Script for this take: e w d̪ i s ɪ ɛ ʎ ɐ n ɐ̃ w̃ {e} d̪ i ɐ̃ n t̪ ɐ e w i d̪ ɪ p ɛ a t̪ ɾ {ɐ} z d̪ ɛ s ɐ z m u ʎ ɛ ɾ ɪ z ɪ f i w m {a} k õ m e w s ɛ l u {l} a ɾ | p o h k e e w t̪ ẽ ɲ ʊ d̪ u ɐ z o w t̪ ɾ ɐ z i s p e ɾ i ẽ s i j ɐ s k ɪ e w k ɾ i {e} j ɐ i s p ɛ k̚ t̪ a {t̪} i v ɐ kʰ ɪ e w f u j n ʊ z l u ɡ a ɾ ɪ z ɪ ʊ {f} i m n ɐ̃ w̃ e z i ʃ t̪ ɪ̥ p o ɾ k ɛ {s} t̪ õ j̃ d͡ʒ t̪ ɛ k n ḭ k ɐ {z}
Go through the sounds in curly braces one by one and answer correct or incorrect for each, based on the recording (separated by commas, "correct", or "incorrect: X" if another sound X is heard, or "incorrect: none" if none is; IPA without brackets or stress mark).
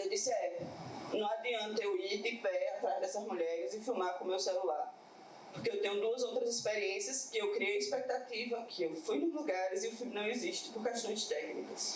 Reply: incorrect: a, incorrect: a, correct, correct, correct, correct, correct, incorrect: ʃ, incorrect: s